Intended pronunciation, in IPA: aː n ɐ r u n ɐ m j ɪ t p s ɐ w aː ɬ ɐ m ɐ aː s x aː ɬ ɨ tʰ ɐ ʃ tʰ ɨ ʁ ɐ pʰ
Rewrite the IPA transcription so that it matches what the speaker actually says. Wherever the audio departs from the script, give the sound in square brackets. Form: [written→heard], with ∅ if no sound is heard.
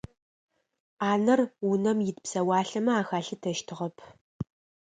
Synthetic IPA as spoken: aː n ɐ r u n ɐ m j ɪ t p s ɐ w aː ɬ ɐ m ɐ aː [s→∅] x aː ɬ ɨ tʰ ɐ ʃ tʰ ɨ ʁ ɐ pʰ